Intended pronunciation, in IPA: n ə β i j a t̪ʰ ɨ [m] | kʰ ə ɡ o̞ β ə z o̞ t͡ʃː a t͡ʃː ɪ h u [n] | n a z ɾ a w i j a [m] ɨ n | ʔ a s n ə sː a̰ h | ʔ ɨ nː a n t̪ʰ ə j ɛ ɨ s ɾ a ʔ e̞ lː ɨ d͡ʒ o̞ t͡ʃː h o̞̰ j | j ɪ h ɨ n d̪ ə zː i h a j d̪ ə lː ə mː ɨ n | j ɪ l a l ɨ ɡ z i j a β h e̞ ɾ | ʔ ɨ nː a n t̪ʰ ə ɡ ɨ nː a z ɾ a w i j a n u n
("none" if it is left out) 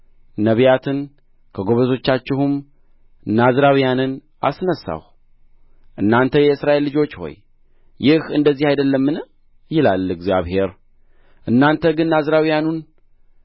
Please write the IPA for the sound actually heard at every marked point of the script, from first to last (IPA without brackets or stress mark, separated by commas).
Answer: n, m, n